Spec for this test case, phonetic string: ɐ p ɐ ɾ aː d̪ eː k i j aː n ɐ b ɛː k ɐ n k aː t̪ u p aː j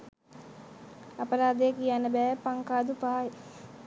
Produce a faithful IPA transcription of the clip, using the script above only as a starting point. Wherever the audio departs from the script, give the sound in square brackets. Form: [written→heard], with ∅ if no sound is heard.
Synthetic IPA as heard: ɐ p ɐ ɾ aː d̪ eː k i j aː n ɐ b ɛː [k→p] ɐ [n→ŋ] k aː [t̪→d̪] u p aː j